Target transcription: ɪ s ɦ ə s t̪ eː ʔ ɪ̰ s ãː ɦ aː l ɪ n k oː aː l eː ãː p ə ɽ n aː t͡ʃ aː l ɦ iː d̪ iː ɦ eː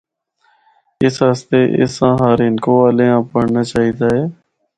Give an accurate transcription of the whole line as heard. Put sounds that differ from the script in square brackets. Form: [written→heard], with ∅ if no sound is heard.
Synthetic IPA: ɪ s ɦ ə s t̪ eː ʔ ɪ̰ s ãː ɦ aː [l→ɾ] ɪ n k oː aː l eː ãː p ə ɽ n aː t͡ʃ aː [l→∅] ɦ iː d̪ [iː→aː] ɦ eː